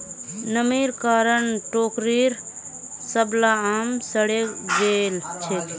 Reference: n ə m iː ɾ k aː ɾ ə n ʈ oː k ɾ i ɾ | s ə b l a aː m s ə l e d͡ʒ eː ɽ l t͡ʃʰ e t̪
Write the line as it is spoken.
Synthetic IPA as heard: n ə m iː ɾ k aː ɾ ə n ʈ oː k ɾ i ɾ | s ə b l a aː m s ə ɽ e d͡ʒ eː l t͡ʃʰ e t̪